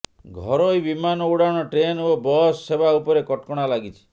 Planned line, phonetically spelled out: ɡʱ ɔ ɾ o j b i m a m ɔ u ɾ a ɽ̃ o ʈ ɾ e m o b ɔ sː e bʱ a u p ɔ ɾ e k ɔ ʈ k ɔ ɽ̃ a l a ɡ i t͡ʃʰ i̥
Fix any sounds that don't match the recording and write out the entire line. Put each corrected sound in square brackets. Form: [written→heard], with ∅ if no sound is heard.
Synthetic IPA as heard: ɡʱ ɔ ɾ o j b i m a [m→n] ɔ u [ɾ→ɽ] a ɽ̃ [o→ɔ] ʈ ɾ e [m→n] o b ɔ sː e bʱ a u p ɔ ɾ e k ɔ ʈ k ɔ ɽ̃ a l a ɡ i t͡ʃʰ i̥